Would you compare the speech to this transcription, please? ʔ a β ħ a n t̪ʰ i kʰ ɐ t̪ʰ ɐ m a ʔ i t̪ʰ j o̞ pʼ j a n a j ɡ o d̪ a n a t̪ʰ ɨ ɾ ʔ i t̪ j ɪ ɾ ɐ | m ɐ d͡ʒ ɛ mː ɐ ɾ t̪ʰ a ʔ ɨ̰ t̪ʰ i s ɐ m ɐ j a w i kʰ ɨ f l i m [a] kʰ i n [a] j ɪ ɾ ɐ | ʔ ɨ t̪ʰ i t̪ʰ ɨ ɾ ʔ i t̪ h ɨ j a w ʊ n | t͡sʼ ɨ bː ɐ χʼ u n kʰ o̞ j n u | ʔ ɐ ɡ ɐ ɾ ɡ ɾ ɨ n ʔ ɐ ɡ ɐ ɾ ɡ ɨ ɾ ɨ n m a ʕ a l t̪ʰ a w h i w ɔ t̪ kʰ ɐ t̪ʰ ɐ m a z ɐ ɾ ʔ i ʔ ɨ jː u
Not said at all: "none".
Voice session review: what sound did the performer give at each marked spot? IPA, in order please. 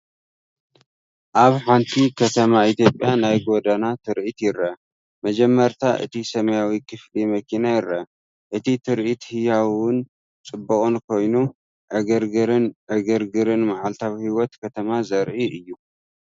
ɐ, a

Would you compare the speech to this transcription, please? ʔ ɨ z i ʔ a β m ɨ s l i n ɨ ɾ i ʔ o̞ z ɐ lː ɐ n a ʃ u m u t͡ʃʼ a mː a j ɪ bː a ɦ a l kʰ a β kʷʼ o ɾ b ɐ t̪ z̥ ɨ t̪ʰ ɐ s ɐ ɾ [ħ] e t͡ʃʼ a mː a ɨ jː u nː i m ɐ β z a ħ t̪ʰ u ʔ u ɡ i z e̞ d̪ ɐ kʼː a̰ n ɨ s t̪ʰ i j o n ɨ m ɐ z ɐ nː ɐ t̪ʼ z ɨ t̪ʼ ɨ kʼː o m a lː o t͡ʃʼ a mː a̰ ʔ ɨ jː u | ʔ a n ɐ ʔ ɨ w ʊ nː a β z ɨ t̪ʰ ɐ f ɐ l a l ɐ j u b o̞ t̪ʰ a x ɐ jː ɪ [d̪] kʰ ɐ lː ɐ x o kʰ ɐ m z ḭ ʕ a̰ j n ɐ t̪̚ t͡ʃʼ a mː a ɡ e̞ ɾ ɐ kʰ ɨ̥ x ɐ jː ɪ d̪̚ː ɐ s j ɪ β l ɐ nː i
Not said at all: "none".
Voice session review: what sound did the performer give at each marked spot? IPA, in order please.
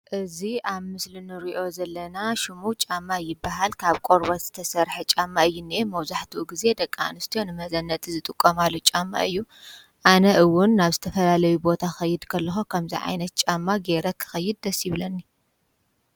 ħ, d̪

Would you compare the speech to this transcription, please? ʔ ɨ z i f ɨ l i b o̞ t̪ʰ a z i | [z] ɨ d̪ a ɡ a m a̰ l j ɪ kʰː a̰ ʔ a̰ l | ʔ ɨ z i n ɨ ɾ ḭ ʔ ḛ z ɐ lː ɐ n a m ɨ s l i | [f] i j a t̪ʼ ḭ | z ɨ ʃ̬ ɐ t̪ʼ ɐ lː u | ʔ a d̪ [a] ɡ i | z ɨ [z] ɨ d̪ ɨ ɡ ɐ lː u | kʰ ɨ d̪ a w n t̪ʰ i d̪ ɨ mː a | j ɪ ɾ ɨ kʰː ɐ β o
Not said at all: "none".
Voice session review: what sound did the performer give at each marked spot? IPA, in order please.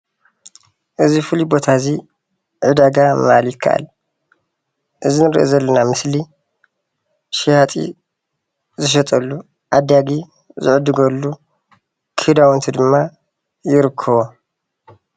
ʕ, ʃ, a, ʕ

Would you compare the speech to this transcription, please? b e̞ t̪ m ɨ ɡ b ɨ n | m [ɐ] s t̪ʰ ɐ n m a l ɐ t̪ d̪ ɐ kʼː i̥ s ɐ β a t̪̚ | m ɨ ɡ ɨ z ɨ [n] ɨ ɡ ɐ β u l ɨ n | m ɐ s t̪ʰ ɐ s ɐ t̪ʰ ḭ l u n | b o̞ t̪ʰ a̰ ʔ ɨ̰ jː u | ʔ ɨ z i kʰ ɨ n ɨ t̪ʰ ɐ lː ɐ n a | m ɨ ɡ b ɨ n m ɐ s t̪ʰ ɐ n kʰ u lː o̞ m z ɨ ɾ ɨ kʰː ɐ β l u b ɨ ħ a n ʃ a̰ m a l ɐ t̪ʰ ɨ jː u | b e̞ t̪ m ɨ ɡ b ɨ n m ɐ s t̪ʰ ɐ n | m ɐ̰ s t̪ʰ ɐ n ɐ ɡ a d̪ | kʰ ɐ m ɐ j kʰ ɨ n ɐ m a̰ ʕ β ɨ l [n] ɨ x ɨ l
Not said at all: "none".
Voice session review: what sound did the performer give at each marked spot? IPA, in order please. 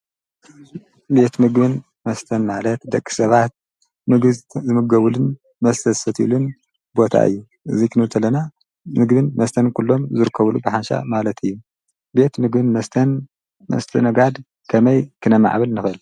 ɐ, m, n

